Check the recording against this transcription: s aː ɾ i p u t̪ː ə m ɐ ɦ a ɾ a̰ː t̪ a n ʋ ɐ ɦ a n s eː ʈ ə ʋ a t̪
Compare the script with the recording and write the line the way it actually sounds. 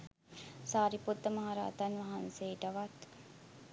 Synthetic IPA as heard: s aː ɾ i p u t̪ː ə m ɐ ɦ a ɾ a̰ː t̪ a n ʋ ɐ ɦ a n s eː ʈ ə ʋ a t̪